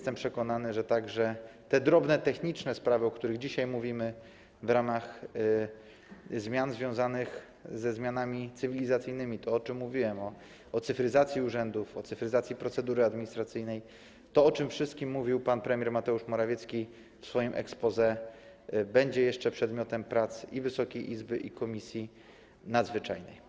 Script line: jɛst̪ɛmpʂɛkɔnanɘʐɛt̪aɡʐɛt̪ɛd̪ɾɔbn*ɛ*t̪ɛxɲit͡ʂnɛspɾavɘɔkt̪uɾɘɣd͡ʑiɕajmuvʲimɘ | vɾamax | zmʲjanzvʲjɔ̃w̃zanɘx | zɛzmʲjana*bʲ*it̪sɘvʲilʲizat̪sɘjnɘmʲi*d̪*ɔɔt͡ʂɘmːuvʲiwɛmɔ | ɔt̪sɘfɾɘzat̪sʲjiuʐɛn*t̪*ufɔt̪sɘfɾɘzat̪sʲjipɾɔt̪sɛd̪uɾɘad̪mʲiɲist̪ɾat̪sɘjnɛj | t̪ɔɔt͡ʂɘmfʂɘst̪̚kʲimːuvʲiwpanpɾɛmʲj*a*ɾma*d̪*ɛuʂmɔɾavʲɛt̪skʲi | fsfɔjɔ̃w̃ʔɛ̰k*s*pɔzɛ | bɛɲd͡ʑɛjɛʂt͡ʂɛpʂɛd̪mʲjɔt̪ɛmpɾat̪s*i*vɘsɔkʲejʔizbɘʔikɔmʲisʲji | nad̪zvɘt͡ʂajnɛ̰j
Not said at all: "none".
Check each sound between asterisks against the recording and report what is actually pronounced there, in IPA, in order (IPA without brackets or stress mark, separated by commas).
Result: ɛ, mʲ, t̪, d̪, ɛ, t̪, s, i